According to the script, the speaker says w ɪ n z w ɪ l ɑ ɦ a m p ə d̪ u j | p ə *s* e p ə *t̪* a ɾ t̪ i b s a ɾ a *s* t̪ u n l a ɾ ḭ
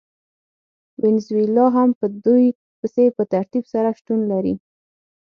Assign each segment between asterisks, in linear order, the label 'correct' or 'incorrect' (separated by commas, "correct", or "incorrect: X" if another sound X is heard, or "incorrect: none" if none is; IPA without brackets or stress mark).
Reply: correct, correct, incorrect: ʃ